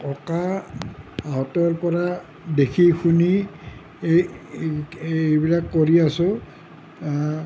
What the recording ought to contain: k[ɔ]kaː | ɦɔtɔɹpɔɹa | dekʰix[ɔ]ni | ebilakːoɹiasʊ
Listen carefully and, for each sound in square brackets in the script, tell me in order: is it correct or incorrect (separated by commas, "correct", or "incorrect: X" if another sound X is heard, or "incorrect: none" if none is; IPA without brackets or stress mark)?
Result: correct, incorrect: u